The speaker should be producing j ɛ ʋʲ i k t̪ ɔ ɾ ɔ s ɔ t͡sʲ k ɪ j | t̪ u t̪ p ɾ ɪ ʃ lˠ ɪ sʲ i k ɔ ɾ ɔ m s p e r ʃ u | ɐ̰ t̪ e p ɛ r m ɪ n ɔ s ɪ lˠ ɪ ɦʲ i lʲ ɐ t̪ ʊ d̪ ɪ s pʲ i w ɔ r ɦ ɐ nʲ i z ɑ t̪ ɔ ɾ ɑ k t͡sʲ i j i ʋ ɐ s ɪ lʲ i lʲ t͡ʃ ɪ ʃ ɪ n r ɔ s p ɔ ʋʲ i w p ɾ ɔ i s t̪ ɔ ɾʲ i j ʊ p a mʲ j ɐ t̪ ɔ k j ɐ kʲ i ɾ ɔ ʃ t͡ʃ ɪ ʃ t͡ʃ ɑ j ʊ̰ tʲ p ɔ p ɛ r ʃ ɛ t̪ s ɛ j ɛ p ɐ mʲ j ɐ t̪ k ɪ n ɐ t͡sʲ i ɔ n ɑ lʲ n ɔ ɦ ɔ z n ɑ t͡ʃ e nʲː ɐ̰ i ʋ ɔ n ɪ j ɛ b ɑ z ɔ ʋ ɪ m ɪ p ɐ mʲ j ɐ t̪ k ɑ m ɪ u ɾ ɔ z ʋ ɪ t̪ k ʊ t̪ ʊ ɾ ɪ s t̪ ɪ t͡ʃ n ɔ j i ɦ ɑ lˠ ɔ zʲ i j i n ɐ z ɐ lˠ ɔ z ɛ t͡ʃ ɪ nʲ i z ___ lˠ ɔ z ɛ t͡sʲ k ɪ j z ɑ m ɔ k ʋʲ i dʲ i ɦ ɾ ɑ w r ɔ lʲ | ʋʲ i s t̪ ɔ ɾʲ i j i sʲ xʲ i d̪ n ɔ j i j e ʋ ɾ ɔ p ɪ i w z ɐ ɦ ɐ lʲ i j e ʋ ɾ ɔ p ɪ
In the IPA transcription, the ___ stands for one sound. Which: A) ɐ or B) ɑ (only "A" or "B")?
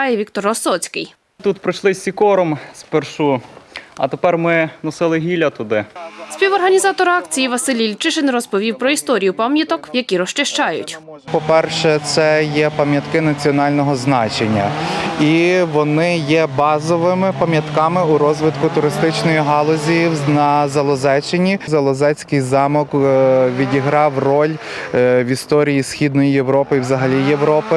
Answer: A